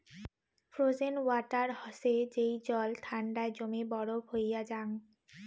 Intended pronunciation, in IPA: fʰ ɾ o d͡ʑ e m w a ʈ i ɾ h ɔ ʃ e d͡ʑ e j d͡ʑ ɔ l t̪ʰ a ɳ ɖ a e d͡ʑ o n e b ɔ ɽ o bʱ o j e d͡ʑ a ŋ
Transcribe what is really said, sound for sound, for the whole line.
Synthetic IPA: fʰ ɾ o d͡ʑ e n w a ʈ a ɾ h ɔ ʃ e d͡ʑ e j d͡ʑ ɔ l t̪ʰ a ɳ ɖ a e d͡ʑ o m e b ɔ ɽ o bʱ o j a d͡ʑ a ŋ

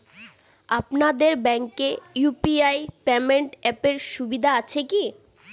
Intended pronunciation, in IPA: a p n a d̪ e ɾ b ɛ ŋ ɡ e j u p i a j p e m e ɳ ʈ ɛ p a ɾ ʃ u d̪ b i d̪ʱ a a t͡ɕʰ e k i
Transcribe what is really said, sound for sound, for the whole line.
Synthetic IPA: a p n a d̪ e ɾ b ɛ ŋ k e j u p i a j p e m e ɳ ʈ ɛ p e ɾ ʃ u b i d̪ʱ a a t͡ɕʰ e k i

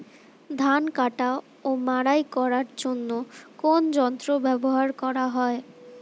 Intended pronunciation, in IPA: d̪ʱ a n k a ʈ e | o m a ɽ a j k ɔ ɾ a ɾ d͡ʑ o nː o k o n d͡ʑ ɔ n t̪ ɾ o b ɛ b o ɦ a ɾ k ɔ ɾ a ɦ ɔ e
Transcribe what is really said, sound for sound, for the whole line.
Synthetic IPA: d̪ʱ a n k a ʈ a | o m a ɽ a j k ɔ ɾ a ɾ d͡ʑ o nː o k o n d͡ʑ ɔ n t̪ ɾ o b ɛ b o ɦ a ɾ k ɔ ɾ a ɦ ɔ e

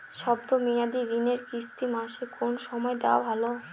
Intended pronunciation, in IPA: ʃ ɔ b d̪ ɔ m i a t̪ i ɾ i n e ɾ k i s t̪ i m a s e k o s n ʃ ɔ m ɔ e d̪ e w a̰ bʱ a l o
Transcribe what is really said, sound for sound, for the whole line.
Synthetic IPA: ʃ ɔ b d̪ o m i a d̪ i ɾ i n e ɾ k i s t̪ i m a ʃ e k o n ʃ ɔ m ɔ e d̪ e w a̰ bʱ a l o

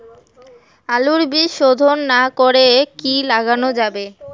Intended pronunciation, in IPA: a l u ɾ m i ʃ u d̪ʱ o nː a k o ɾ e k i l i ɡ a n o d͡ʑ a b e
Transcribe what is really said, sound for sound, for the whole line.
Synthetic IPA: a l u ɾ b i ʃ o d̪ʱ o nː a k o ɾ e k i l a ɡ a n o d͡ʑ a b e

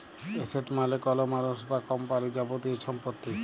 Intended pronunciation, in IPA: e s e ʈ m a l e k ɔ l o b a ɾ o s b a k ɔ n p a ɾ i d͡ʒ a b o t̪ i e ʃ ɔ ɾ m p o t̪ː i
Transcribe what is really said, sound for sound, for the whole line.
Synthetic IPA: e s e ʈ m a l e k ɔ l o m a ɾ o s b a k ɔ m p a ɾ i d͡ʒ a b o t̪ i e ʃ ɔ m p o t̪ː i

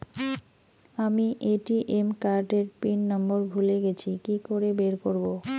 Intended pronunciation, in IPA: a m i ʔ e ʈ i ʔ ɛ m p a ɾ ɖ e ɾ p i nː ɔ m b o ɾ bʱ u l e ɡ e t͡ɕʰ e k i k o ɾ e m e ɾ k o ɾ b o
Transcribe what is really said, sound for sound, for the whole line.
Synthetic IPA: a m i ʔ e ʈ i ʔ e m k a ɾ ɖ e ɾ p i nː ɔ m b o ɾ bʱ u l e ɡ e t͡ɕʰ i k i k o ɾ e b e ɾ k o ɾ b o

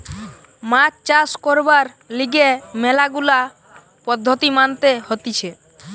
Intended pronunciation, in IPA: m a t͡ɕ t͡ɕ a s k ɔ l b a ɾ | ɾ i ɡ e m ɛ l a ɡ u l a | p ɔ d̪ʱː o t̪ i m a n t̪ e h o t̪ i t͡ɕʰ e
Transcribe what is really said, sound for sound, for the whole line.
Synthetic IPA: m a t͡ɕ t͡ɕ a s k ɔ ɾ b a ɾ | l i ɡ e m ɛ l a ɡ u l a | p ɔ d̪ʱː o t̪ i m a n t̪ e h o t̪ i t͡ɕʰ e

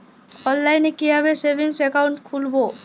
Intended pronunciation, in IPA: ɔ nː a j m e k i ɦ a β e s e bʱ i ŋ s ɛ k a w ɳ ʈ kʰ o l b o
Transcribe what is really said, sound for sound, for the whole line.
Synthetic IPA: ɔ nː a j n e k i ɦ a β e s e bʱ i ŋ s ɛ k a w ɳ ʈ kʰ u l b o

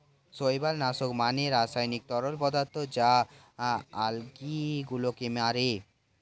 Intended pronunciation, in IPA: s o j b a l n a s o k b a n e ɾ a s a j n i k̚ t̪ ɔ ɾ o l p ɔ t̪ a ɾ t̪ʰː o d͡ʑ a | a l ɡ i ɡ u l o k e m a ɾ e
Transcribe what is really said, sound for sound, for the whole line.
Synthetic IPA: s o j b a l n a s o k m a n e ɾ a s a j n i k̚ t̪ ɔ ɾ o l p ɔ d̪ a ɾ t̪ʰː o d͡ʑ a | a l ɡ i ɡ u l o k e m a ɾ e

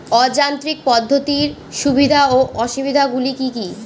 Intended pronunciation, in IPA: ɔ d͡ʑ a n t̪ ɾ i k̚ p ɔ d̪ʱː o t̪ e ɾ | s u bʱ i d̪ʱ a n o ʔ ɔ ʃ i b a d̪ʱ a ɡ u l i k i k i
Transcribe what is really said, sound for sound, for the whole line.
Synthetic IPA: ɔ d͡ʑ a n t̪ ɾ i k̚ p ɔ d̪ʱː o t̪ i ɾ | ʃ u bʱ i d̪ʱ a o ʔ ɔ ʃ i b i d̪ʱ a ɡ u l i k i k i

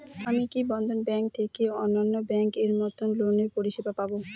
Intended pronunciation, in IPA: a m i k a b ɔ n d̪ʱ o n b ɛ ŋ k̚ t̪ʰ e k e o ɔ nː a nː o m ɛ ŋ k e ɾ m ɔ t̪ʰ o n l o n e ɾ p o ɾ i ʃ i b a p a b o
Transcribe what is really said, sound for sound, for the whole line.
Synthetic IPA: a m i k i b ɔ n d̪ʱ o n b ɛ ŋ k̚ t̪ʰ e k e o ɔ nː a nː o b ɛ ŋ k e ɾ m ɔ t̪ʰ o n l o n e ɾ p o ɾ i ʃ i b a p a b o

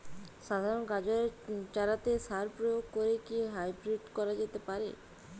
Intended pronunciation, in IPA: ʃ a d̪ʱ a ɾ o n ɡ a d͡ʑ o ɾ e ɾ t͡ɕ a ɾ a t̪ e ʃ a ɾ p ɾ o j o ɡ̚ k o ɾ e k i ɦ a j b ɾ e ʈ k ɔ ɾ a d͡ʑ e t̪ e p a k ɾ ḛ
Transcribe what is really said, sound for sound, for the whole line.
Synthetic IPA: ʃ a d̪ʱ a ɾ o n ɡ a d͡ʑ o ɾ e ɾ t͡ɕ a ɾ a t̪ e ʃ a ɾ p ɾ o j o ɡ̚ k o ɾ e k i ɦ a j b ɾ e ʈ k ɔ ɾ a d͡ʑ e t̪ e p a ɾ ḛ

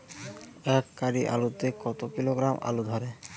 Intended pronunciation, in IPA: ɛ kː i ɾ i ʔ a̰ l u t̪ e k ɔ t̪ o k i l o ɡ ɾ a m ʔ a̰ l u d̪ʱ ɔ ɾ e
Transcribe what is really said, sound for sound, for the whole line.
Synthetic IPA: ɛ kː a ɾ i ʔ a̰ l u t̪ e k ɔ t̪ o k i l o ɡ ɾ a m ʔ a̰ l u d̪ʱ ɔ ɾ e

